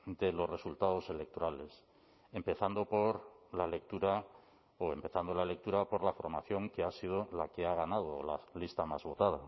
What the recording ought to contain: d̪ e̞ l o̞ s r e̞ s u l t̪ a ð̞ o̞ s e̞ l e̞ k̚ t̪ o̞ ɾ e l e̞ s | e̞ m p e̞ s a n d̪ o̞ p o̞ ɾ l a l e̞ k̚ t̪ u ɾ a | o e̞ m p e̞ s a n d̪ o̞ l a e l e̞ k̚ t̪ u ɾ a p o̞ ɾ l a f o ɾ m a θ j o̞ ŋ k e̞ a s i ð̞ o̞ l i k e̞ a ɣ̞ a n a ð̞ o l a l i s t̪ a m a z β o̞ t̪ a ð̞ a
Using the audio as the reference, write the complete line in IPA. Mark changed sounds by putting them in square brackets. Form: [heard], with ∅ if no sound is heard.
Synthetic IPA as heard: d̪ e̞ l o̞ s r e̞ s u l t̪ a ð̞ o̞ s e̞ l e̞ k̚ t̪ o̞ ɾ [a] l e̞ s | e̞ m p e̞ [θ] a n d̪ o̞ p o̞ ɾ l a l e̞ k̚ t̪ u ɾ a | o e̞ m p e̞ [θ] a n d̪ o̞ l a e l e̞ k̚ t̪ u ɾ a p o̞ ɾ l a f o ɾ m a θ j o̞ ŋ k e̞ a s i ð̞ o̞ l [a] k e̞ a ɣ̞ a n a ð̞ o l a l i s t̪ a m a z β o̞ t̪ a ð̞ a